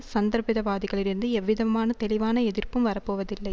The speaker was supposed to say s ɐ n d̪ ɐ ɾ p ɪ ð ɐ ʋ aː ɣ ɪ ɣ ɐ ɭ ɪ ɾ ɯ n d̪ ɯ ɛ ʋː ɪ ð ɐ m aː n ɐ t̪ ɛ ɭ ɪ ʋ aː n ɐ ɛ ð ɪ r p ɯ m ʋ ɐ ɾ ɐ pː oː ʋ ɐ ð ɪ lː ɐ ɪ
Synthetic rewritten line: s ɐ n d̪ ɐ ɾ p ɪ ð ɐ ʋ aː ð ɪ ɣ ɐ ɭ ɪ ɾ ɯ n d̪ ɯ ɛ ʋː ɪ ð ɐ m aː n ɐ t̪ ɛ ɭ ɪ ʋ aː n ɐ ɛ ð ɪ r p ɯ m ʋ ɐ ɾ ɐ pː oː ʋ ɐ ð ɪ lː ɐ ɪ